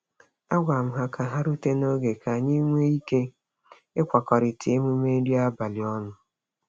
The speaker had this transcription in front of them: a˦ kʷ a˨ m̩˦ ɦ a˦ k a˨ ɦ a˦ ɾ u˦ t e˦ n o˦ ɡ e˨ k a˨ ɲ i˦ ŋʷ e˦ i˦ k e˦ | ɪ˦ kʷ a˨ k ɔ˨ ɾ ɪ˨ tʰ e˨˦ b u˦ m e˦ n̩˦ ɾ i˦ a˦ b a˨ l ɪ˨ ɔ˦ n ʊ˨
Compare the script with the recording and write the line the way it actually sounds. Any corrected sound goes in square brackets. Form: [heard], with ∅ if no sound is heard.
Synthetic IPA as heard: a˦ [ɡʷ] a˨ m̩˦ ɦ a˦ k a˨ ɦ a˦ ɾ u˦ t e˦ n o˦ ɡ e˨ k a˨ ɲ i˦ ŋʷ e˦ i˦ k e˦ | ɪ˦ kʷ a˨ k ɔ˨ ɾ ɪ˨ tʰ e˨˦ [m] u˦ m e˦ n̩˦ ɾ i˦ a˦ b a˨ l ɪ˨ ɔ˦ n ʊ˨